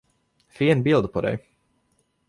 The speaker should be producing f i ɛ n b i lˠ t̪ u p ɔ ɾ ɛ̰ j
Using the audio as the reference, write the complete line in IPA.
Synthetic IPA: f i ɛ n b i lˠ d̪ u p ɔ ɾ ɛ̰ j

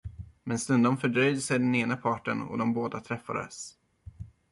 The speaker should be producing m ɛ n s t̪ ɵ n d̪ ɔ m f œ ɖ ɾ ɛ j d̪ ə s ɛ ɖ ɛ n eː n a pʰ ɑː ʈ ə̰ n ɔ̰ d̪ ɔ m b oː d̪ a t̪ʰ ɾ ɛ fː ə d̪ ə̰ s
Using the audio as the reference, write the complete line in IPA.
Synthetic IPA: m ɛ n s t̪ ɵ n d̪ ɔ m f œ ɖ ɾ œ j d̪ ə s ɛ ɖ ɛ n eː n a pʰ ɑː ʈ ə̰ n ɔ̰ d̪ ɔ m b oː d̪ a t̪ʰ ɾ ɛ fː a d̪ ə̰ s

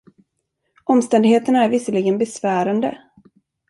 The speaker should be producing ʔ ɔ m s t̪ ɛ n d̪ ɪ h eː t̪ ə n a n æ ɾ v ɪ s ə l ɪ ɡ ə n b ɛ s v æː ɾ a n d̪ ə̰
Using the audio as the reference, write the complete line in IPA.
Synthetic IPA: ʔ ɔ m s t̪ ɛ n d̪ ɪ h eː t̪ ə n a æ ɾ v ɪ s ə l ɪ ɡ ə n b ɛ s v æː ɾ a n d̪ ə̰

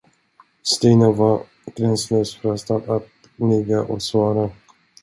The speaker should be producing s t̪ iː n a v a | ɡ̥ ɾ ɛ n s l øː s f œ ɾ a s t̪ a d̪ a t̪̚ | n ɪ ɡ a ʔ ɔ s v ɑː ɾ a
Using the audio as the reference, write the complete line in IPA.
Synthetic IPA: s t̪ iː n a v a | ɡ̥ ɾ ɛ n s l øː s f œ ɾ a s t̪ a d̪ a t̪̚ | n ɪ ɡ a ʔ ɔ s v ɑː ɾ a

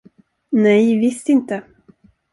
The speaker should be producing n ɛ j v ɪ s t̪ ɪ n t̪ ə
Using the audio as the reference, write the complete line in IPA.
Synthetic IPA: n ɛ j v ɪ s t̪ ɪ n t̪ ə

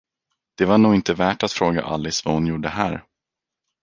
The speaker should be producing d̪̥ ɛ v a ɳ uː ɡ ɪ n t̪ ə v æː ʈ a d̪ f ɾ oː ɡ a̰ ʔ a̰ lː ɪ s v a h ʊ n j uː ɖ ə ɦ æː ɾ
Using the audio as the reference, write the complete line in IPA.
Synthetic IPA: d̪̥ ɛ v a ɳ uː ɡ ɪ n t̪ ə v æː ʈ a t̪ f ɾ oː ɡ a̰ ʔ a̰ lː ɪ s v a h ʊ n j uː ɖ ə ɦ æː ɾ

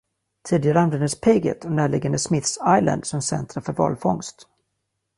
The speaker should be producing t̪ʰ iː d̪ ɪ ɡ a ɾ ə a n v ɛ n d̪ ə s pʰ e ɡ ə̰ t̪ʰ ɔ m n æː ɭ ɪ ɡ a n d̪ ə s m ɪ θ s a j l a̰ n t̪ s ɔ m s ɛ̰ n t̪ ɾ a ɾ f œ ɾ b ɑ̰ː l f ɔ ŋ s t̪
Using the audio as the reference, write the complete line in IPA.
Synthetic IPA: t̪ʰ iː d̪ ɪ ɡ a ɾ ə a n v ɛ n d̪ ə s pʰ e ɡ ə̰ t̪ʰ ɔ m n æː ɭ ɪ ɡ a n d̪ ə s m ɪ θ s a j l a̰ n d̪ s ɔ m s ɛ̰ n t̪ ɾ a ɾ f œ ɾ v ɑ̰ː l f ɔ ŋ s t̪

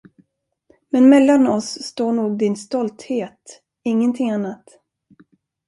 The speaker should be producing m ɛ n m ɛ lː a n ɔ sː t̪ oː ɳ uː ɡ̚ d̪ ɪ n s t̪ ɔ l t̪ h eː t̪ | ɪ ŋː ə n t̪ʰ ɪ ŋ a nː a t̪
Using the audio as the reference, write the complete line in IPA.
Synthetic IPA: m ɛ n m ɛ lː a n ɔ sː t̪ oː ɳ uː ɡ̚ d̪ ɪ n s t̪ ɔ l t̪ h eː t̪ | ɪ ŋː ə n t̪ʰ ɪ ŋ a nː a t̪

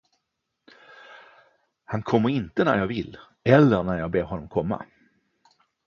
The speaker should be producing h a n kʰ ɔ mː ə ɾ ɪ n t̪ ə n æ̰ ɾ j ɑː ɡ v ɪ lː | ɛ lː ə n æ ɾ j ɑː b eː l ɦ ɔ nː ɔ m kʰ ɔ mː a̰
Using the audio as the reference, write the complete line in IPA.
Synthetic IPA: h a n kʰ ɔ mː ə ɾ ɪ n t̪ ə n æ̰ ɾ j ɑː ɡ v ɪ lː | ɛ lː ə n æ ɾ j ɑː b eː ɾ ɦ ɔ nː ɔ m kʰ ɔ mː a̰

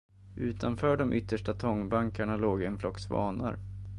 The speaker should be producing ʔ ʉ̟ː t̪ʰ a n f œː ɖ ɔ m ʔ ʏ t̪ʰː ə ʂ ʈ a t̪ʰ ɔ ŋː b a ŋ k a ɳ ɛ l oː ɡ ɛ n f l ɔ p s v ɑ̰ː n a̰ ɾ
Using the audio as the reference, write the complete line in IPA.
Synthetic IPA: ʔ ʉ̟ː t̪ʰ a n f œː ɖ ɔ m ʔ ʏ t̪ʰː ə ʂ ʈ a t̪ʰ ɔ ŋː b a ŋ k a ɳ a l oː ɡ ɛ n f l ɔ k s v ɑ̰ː n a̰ ɾ

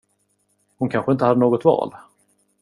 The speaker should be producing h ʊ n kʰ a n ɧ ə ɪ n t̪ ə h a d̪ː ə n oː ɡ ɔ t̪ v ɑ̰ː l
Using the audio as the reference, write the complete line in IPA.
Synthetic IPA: h ʊ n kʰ a n ɧ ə ɪ n t̪ ə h a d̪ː ə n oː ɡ ɔ t̪ v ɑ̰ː l

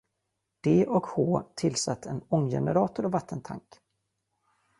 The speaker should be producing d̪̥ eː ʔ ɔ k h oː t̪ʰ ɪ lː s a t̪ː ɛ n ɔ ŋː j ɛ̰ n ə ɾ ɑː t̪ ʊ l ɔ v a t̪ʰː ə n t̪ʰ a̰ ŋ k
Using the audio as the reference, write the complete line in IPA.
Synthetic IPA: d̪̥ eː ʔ ɔ k h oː t̪ʰ ɪ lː s a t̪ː ɛ n ɔ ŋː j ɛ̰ n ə ɾ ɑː t̪ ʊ ɾ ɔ v a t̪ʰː ə n t̪ʰ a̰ ŋ k

